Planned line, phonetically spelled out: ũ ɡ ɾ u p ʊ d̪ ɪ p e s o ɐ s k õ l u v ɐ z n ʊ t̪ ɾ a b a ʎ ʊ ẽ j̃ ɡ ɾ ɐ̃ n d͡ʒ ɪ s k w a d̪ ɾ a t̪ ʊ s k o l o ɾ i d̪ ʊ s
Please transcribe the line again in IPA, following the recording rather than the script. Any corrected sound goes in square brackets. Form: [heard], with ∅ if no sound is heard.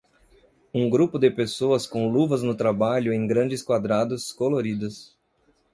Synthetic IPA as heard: ũ ɡ ɾ u p ʊ d̪ ɪ p e s o ɐ s k õ l u v ɐ z n ʊ t̪ ɾ a b a ʎ ʊ ẽ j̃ ɡ ɾ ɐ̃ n d͡ʒ ɪ s k w a d̪ ɾ a [d̪] ʊ s k o l o ɾ i d̪ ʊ s